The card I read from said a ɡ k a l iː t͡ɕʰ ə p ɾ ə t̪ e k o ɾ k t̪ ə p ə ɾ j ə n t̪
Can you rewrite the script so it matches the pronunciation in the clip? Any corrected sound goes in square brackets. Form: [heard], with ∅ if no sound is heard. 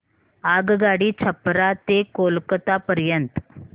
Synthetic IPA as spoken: a ɡ [ɡ] a [ɽ] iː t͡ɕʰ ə p ɾ [a] t̪ e k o [l] k t̪ [a] p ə ɾ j ə n t̪